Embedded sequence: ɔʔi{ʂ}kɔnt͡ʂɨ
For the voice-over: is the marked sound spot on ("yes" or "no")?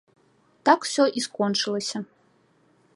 no